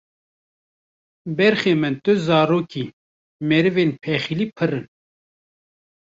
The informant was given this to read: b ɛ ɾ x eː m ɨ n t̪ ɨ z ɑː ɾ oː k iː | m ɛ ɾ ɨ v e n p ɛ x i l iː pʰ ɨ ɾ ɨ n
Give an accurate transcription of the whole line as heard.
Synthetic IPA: b ɛ ɾ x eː m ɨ n t̪ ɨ z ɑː ɾ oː k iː | m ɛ ɾ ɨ v e n pʰ ɛ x i l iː pʰ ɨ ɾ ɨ n